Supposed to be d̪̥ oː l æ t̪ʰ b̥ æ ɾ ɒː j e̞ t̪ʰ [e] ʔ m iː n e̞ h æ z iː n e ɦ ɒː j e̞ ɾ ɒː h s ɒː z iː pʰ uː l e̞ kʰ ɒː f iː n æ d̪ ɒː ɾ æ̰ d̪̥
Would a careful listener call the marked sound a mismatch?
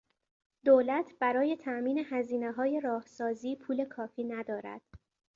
yes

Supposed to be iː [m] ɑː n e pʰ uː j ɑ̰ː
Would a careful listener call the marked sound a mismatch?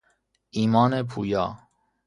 no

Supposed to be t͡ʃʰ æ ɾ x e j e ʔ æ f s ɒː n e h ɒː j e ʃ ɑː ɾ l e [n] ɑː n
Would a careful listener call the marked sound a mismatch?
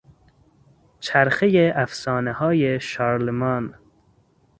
yes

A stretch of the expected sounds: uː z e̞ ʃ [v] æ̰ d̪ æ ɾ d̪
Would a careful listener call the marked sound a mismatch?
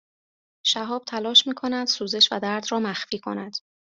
no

